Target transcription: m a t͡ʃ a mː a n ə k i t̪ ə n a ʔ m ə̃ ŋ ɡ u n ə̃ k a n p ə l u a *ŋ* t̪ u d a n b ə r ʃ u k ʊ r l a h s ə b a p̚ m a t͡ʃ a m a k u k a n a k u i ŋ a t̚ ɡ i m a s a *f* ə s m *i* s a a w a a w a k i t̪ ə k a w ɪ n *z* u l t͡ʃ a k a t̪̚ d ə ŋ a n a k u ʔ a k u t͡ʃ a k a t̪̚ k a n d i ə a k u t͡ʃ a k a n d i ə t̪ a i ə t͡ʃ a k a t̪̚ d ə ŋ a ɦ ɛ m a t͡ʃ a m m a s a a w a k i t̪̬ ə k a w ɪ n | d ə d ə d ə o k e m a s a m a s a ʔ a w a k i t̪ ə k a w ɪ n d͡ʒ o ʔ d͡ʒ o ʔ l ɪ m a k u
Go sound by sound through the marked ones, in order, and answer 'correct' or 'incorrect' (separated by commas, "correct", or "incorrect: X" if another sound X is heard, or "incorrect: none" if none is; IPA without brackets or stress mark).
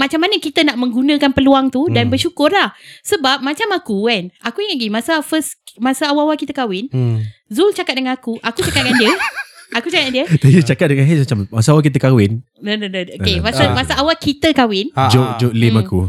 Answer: correct, correct, incorrect: a, correct